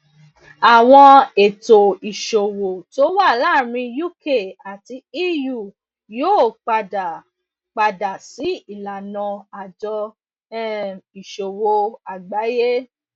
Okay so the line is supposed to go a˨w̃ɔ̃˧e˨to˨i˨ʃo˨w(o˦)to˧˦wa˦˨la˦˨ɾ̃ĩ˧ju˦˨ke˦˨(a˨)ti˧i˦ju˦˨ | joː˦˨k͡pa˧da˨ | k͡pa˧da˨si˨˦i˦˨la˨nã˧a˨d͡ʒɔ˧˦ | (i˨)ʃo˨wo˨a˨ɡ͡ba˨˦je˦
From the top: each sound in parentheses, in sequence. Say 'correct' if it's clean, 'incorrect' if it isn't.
incorrect: o˨, correct, correct

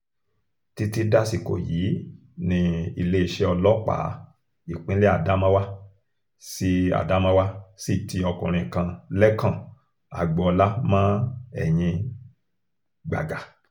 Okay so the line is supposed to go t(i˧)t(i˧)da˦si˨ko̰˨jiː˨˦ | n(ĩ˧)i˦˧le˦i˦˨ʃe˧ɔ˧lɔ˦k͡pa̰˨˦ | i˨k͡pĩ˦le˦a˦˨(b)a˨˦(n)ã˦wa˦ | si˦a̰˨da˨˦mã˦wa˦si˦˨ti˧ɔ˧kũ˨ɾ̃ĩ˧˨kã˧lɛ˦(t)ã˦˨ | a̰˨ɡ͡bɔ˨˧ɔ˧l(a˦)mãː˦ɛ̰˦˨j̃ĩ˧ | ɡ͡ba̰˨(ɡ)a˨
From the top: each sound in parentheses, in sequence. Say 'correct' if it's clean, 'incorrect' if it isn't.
correct, correct, correct, incorrect: d, incorrect: m, incorrect: k, correct, correct

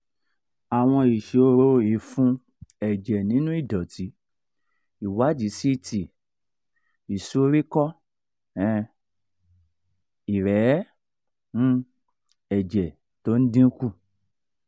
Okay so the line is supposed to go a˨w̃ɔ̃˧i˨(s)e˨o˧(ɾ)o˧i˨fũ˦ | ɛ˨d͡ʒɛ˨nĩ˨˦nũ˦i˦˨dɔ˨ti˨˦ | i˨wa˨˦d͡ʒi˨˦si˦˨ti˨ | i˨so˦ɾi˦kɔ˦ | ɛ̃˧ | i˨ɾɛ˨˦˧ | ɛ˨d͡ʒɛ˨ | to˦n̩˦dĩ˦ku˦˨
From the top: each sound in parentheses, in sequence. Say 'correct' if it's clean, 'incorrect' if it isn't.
incorrect: ʃ, correct

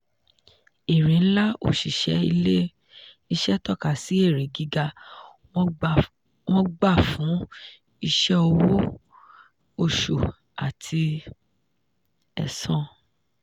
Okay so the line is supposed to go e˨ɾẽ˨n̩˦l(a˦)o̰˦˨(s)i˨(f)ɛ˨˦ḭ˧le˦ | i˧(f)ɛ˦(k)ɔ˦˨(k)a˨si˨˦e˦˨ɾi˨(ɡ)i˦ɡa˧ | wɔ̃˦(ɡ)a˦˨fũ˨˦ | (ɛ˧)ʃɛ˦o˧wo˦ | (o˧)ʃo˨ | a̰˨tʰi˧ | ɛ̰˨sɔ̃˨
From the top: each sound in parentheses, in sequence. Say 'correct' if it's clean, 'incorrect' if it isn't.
correct, incorrect: ʃ, incorrect: ʃ, incorrect: ʃ, incorrect: t, correct, correct, incorrect: ɡ͡b, incorrect: i˧, correct

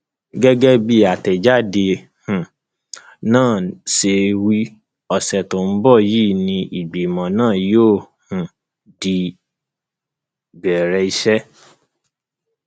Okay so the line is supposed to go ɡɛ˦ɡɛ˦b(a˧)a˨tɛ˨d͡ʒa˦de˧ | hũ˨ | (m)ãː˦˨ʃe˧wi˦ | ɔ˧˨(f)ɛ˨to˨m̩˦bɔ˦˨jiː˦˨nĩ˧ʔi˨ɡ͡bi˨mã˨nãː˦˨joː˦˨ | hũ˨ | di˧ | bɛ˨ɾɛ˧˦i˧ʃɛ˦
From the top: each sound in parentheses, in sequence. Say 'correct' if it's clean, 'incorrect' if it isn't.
incorrect: i˧, incorrect: n, incorrect: s

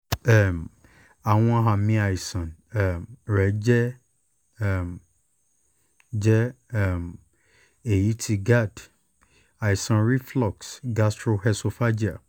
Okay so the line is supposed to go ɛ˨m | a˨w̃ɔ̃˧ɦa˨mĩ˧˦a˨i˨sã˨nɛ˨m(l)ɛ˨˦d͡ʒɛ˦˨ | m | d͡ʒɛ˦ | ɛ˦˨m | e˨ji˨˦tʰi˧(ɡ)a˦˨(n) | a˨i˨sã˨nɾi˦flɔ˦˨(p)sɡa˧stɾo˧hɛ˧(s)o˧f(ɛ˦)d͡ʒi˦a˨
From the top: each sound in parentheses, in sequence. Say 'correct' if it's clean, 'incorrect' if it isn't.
incorrect: ɾ, correct, incorrect: d, incorrect: k, correct, incorrect: a˦

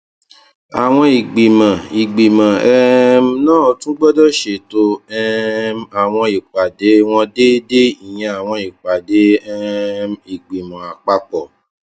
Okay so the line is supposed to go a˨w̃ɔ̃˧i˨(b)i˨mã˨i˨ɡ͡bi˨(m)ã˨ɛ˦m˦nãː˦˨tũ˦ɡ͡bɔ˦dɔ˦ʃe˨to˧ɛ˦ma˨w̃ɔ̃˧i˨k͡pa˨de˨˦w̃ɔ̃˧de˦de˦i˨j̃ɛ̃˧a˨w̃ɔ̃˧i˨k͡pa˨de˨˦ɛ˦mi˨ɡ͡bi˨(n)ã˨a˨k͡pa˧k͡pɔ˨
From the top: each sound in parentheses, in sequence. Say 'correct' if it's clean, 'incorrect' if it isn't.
incorrect: ɡ͡b, correct, incorrect: m

